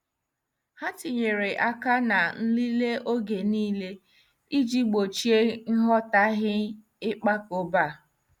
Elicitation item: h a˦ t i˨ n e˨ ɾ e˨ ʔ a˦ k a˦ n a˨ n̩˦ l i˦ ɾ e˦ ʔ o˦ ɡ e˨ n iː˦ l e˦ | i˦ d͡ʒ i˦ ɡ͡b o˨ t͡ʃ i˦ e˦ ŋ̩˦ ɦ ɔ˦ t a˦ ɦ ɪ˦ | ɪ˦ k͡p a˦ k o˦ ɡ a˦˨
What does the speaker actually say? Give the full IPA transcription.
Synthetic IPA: h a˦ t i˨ ɲ e˨ ɾ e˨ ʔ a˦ k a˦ n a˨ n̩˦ l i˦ l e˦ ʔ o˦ ɡ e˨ n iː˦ l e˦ | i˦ d͡ʒ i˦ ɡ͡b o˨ t͡ʃ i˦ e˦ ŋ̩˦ ɦ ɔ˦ t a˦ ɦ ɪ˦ | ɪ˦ k͡p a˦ k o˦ b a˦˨